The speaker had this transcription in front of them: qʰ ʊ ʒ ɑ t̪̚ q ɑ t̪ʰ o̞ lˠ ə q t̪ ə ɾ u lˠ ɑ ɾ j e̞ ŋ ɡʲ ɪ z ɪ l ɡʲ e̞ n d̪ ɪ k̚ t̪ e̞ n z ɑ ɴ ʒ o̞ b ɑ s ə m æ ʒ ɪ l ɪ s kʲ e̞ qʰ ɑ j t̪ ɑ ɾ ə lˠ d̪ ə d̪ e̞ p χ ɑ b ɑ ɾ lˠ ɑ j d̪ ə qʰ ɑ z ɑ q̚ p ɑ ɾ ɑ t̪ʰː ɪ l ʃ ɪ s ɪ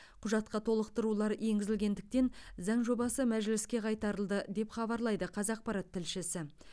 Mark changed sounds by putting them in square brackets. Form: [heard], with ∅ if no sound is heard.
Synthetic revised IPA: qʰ ʊ ʒ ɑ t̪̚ q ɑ t̪ʰ o̞ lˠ ə q t̪ ə ɾ u lˠ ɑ ɾ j e̞ ŋ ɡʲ ɪ z ɪ l ɡʲ e̞ n d̪ ɪ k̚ t̪ e̞ n z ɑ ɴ ʒ o̞ b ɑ s ə m æ ʒ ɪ l ɪ s kʲ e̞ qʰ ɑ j t̪ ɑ ɾ ə lˠ d̪ ə d̪ e̞ p χ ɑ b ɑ ɾ lˠ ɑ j d̪ ə qʰ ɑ z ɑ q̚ p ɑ ɾ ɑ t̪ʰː ɪ l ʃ ɪ s ɪ